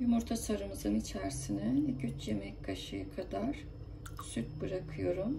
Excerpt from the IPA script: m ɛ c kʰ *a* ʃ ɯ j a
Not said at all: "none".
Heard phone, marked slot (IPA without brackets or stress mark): a